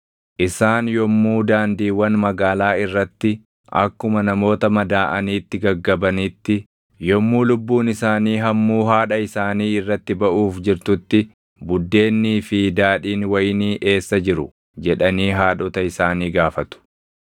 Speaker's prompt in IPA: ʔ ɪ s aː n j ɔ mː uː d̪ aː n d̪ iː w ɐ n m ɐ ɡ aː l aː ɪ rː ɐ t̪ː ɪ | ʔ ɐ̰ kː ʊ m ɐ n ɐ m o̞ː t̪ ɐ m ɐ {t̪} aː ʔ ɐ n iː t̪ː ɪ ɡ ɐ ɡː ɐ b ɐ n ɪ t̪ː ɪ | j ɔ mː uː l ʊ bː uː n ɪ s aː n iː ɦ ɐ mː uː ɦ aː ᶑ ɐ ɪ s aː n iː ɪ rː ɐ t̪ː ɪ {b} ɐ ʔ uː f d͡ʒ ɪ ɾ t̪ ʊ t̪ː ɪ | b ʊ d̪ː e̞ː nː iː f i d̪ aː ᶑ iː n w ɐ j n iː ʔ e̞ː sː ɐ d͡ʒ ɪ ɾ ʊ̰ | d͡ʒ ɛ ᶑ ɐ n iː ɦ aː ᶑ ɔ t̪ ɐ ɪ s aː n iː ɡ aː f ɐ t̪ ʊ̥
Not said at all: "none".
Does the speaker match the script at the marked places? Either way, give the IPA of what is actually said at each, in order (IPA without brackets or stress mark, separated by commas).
d̪, b